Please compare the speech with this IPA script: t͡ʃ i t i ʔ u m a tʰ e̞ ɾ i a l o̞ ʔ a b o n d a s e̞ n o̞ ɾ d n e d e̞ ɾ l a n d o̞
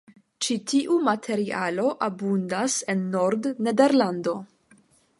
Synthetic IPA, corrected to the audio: t͡ʃ i t i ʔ u m a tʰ e̞ ɾ i a l o̞ ʔ a b u n d a s e̞ nː o̞ ɾ d n e d e̞ ɾ l a n d o̞